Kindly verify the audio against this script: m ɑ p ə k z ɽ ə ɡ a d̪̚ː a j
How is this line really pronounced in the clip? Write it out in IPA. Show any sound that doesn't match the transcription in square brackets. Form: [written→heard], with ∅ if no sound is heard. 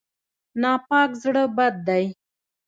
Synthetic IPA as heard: [m→n] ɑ p [ə→ɑ] k z ɽ ə [ɡ→b] a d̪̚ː a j